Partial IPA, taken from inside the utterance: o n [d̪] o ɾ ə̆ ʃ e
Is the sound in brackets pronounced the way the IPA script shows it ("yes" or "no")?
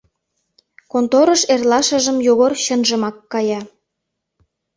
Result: no